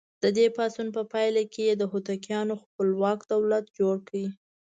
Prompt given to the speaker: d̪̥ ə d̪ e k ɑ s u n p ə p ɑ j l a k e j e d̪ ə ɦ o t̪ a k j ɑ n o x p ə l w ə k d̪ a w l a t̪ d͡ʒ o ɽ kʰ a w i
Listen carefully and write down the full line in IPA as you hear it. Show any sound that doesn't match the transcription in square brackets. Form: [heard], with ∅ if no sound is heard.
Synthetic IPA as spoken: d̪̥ ə d̪ e [p] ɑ s u n p ə p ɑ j l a k e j e d̪ ə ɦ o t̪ a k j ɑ n o x p ə l w [ɑ] k d̪ a w l a t̪ d͡ʒ o ɽ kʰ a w i